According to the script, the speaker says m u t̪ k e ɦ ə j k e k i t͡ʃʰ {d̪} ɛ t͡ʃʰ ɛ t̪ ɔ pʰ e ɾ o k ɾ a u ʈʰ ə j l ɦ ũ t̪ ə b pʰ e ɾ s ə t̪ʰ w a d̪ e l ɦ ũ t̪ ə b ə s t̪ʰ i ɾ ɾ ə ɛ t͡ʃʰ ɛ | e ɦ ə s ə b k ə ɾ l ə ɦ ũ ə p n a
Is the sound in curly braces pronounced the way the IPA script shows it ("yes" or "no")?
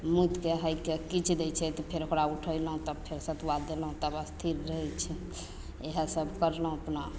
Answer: yes